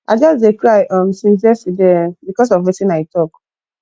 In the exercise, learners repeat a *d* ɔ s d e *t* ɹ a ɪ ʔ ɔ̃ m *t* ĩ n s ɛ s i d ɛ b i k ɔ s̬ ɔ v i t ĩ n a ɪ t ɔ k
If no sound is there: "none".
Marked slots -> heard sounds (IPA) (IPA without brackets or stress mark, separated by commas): d͡ʒ, k, s